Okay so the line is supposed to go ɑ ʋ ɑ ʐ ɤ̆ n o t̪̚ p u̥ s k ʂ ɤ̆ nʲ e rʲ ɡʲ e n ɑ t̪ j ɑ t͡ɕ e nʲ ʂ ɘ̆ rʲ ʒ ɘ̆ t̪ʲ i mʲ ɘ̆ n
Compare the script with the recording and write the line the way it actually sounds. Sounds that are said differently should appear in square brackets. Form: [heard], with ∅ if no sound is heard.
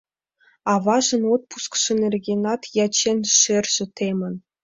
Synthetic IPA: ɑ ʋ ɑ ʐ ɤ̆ n o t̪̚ p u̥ s k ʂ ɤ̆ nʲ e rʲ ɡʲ e n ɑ t̪ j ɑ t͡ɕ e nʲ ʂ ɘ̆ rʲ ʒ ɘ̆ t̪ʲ [e] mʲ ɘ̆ n